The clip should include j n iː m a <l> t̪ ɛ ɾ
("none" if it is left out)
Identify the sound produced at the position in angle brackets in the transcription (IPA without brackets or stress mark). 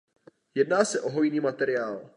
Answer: none